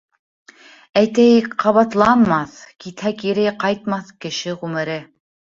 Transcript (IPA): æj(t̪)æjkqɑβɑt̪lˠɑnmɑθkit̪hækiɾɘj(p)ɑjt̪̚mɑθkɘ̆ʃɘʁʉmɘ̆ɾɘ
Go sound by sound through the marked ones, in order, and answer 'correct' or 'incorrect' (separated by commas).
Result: correct, incorrect